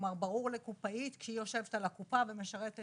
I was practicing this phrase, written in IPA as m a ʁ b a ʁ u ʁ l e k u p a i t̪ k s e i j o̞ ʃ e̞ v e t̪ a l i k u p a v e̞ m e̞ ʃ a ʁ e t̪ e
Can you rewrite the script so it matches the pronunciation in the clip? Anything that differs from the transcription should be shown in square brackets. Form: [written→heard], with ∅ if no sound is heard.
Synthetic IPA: m a ʁ b a ʁ u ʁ l e k u p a i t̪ k [s→ʃ] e i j o̞ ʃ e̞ v e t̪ a l [i→a] k u p a v e̞ m e̞ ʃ a ʁ e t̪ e